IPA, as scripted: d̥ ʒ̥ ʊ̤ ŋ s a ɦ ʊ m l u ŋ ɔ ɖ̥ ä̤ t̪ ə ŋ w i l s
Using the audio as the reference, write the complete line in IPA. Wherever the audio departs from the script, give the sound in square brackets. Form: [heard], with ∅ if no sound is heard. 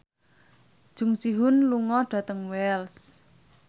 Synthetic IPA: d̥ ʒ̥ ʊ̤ ŋ s [i] ɦ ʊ [n] l u ŋ ɔ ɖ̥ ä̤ t̪ ə ŋ w [ɛ] l s